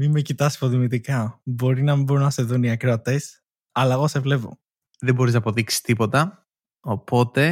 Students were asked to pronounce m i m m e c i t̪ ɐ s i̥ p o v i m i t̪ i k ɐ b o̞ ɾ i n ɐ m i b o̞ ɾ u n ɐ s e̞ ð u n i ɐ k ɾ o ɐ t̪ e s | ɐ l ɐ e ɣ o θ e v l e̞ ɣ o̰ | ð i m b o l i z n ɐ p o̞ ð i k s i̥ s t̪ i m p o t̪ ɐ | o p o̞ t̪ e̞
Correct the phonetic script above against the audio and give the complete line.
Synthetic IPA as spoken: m i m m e c i t̪ ɐ s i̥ p o ð i m i t̪ i k ɐ b o̞ ɾ i n ɐ m i b o̞ ɾ u n ɐ s e̞ ð u n i ɐ k ɾ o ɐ t̪ e s | ɐ l ɐ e ɣ o s e v l e̞ v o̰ | ð e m b o ɾ i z n ɐ p o̞ ð i k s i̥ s t̪ i p o t̪ ɐ | o p o̞ t̪ e̞